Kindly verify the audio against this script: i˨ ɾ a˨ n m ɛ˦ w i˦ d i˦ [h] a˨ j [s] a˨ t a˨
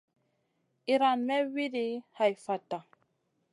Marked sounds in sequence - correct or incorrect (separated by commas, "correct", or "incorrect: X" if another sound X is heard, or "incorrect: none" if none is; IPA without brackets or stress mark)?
correct, incorrect: f